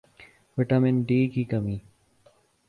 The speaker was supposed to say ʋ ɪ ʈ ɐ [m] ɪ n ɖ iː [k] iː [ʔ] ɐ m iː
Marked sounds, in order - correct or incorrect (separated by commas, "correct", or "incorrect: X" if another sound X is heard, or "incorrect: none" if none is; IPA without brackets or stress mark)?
correct, correct, incorrect: k